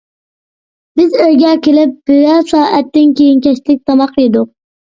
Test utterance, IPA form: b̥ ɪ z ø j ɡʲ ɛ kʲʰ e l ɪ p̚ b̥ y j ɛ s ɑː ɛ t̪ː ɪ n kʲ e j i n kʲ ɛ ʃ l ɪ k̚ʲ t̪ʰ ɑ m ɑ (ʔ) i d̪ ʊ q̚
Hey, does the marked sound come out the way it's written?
no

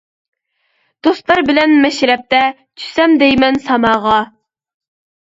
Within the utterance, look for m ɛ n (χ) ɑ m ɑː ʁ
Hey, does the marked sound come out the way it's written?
no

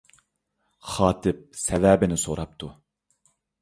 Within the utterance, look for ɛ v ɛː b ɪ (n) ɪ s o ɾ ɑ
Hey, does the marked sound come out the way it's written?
yes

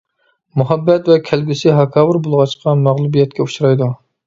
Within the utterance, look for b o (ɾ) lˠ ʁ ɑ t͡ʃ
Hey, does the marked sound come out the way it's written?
no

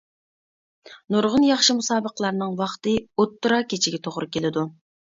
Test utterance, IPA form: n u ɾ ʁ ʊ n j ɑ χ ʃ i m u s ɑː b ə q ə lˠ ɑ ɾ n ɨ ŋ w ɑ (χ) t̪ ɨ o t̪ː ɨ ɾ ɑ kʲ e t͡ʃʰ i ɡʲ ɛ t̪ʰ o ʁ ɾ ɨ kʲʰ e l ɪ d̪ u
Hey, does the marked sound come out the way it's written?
yes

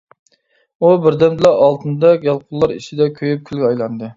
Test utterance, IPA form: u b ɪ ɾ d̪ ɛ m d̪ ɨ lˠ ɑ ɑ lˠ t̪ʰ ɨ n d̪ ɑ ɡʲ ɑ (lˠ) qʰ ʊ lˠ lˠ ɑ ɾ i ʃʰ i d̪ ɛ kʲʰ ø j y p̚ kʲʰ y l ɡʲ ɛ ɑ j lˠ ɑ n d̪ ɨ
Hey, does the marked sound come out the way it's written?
yes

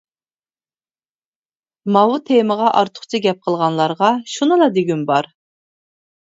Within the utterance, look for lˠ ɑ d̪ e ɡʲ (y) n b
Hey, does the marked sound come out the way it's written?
yes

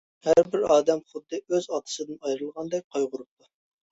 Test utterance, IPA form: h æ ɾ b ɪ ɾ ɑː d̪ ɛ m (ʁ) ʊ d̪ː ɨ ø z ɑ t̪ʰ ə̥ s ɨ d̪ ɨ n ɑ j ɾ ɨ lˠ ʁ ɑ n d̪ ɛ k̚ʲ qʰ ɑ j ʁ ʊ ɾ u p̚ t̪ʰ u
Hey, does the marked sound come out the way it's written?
no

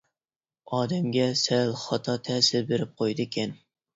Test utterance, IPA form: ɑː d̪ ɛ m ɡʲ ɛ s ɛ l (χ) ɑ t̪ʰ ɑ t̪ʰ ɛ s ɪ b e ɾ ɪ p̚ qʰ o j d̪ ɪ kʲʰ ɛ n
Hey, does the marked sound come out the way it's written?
yes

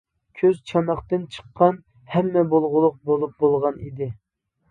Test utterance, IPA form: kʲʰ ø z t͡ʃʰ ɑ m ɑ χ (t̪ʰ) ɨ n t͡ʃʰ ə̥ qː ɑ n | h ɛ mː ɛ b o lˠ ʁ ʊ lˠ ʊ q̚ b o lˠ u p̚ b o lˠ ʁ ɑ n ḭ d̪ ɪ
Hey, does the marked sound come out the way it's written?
no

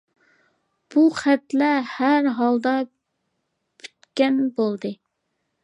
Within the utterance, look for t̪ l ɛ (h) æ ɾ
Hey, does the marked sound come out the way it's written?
yes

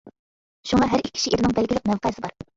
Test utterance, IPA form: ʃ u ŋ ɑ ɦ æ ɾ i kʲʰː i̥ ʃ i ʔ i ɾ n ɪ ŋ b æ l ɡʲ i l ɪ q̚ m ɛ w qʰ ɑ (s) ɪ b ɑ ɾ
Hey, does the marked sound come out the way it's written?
yes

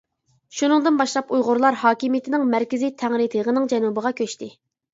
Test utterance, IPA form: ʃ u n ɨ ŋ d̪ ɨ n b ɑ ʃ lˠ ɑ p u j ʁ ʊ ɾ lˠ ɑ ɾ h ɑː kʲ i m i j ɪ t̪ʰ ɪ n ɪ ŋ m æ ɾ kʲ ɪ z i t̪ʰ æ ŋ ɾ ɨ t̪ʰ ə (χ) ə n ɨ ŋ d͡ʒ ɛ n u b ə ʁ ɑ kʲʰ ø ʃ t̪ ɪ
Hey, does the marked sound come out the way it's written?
no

